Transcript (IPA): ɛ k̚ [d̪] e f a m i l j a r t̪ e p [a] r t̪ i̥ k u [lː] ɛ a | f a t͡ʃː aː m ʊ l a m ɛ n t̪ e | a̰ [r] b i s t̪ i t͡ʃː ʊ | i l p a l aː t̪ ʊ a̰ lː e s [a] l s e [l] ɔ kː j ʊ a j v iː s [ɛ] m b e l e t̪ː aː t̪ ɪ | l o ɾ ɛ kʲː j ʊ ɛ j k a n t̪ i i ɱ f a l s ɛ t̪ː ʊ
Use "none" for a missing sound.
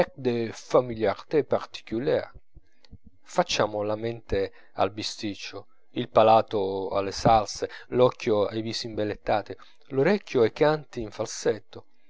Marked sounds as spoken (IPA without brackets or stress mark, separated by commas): d̪, a, l, l, a, l, i